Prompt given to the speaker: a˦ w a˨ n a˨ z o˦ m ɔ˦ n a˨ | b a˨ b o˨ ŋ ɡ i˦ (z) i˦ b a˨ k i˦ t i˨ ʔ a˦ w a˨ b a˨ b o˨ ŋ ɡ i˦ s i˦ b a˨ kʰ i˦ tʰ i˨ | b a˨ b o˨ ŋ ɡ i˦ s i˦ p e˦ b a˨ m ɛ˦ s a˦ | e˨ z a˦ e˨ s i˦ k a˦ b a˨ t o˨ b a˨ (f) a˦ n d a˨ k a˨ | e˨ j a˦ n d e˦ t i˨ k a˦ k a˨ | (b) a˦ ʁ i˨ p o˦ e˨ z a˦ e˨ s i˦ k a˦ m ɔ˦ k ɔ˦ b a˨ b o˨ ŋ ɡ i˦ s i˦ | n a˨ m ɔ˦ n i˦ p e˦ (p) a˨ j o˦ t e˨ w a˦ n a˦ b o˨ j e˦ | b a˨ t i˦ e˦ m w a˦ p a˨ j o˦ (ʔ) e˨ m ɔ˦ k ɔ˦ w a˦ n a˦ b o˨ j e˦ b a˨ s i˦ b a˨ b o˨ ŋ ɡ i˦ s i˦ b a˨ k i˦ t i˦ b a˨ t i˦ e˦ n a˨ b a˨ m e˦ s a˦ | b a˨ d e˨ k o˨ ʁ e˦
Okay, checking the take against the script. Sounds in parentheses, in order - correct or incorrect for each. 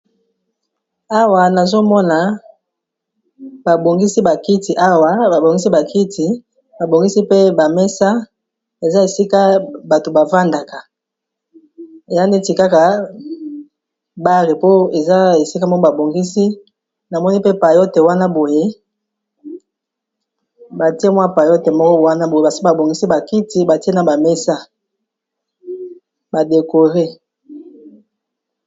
incorrect: s, incorrect: v, correct, correct, incorrect: t

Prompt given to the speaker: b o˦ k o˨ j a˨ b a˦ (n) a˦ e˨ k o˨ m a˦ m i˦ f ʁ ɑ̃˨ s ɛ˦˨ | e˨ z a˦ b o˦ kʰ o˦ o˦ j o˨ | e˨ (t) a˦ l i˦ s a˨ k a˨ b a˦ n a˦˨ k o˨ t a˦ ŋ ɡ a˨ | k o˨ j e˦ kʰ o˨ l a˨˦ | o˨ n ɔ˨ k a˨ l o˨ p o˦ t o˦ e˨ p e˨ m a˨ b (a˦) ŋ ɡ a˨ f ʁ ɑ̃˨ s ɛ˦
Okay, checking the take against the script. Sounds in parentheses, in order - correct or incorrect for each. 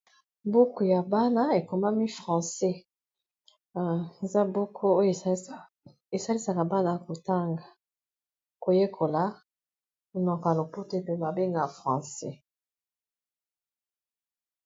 correct, incorrect: s, incorrect: e˦

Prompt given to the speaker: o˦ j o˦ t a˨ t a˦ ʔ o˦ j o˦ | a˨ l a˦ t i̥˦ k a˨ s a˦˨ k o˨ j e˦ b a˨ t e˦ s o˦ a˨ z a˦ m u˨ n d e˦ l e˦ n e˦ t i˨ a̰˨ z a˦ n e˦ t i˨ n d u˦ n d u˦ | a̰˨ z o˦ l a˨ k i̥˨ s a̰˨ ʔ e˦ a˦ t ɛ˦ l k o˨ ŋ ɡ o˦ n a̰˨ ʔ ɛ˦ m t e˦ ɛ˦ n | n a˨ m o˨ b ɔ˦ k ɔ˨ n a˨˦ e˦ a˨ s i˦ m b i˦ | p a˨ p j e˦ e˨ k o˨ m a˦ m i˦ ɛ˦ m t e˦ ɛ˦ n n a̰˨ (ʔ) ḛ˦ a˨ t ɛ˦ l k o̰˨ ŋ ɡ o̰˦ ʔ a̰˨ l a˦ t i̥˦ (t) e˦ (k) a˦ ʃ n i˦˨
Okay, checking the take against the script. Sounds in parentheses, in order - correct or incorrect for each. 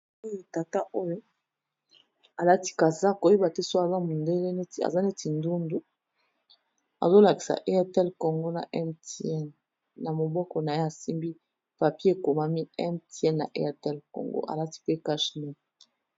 correct, incorrect: p, correct

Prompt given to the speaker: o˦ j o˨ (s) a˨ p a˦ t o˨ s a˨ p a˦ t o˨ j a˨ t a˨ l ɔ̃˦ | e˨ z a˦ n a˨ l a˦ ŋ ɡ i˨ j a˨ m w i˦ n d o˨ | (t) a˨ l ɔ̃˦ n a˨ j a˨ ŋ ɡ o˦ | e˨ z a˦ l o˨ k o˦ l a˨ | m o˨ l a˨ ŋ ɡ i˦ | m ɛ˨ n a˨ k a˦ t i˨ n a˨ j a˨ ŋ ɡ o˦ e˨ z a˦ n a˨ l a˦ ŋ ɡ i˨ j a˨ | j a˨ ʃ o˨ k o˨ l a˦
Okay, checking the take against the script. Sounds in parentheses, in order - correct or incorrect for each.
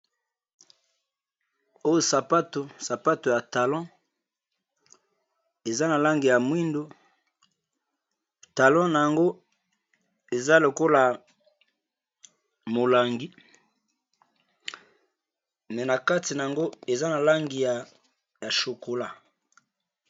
correct, correct

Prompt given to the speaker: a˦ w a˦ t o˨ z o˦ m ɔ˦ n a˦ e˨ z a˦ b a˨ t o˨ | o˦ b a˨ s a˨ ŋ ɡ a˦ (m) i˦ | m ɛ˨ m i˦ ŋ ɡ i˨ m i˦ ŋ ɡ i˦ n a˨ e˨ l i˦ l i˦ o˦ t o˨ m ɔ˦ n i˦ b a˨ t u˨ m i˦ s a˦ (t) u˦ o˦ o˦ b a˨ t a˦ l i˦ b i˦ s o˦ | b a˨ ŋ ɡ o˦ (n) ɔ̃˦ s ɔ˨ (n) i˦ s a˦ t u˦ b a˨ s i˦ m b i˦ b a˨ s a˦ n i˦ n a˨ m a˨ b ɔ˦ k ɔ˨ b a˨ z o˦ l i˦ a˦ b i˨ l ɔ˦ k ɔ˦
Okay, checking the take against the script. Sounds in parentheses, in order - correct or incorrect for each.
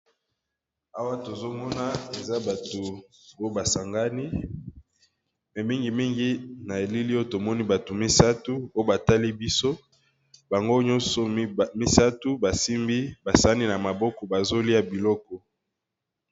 incorrect: n, correct, incorrect: ɲ, incorrect: m

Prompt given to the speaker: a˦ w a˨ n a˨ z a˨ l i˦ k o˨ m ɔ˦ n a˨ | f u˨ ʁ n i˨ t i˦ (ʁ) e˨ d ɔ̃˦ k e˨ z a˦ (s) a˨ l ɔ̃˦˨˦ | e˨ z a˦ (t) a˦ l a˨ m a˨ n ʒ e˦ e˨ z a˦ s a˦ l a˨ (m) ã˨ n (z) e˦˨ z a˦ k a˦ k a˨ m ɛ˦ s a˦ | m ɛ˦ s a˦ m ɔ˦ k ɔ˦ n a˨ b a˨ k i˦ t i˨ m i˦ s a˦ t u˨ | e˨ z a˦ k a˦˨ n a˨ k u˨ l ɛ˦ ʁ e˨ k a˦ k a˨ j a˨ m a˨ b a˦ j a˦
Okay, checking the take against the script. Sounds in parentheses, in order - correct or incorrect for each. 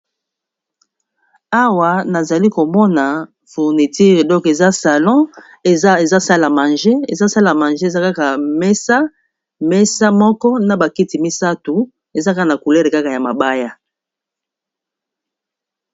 correct, correct, incorrect: s, correct, incorrect: ʒ

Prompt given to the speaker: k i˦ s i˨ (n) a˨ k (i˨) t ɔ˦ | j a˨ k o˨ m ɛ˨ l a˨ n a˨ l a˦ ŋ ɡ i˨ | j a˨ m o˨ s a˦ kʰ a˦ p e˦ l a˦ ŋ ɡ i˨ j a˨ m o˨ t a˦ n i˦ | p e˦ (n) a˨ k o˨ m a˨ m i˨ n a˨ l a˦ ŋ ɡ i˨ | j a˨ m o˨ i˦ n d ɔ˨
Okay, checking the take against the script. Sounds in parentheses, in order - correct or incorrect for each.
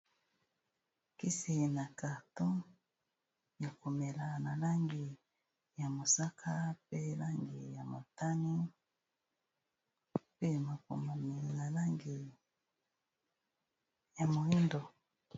correct, incorrect: a˨, incorrect: m

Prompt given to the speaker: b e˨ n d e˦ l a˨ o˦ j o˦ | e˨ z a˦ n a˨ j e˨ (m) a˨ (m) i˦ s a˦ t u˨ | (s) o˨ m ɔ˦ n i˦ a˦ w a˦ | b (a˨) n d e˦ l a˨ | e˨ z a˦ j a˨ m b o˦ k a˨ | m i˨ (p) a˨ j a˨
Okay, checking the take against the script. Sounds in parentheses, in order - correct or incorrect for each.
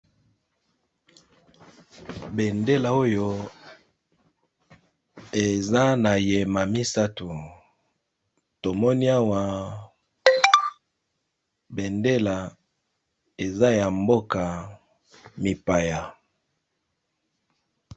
correct, correct, incorrect: t, incorrect: e˨, correct

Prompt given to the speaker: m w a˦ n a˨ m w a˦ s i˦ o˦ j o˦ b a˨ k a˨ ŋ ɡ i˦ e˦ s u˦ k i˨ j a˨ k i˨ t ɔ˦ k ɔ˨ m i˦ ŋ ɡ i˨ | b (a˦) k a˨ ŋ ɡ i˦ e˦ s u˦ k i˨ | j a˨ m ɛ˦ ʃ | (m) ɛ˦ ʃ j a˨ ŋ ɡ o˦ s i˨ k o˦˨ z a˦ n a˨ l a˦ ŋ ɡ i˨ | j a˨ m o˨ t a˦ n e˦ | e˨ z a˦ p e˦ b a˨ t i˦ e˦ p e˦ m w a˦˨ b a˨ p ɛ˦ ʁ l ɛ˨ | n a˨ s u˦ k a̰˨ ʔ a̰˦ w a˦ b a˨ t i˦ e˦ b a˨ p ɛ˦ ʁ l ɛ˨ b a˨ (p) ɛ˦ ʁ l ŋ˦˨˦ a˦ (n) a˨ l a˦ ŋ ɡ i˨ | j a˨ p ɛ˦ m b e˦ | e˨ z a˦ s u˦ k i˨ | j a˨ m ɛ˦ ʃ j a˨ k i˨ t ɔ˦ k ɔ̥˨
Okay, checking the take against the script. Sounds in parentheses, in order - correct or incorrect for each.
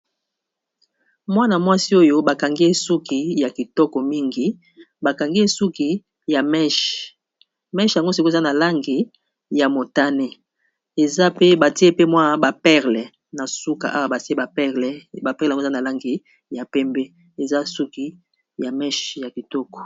incorrect: a˨, correct, correct, correct

